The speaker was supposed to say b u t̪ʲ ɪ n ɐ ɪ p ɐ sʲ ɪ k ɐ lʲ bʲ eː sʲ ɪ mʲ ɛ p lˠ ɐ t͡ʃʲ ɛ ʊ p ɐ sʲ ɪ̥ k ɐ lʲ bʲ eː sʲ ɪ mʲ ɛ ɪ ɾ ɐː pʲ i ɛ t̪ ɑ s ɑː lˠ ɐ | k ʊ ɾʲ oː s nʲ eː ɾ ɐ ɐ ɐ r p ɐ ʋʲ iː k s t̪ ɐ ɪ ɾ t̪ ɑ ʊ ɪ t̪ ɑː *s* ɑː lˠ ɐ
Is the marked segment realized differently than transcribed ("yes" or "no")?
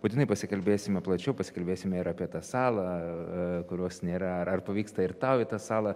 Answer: no